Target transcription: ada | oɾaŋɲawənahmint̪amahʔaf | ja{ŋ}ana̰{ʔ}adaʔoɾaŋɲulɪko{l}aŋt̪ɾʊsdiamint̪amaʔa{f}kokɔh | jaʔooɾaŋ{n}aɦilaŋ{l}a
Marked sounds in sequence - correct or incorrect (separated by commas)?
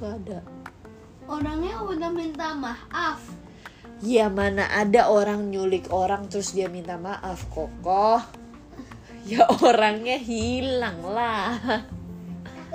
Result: incorrect, correct, incorrect, correct, incorrect, correct